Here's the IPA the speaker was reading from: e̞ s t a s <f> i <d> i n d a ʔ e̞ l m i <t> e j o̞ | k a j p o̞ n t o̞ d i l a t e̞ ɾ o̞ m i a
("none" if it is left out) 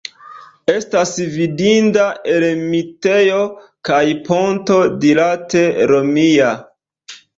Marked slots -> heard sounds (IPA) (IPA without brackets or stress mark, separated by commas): v, d, t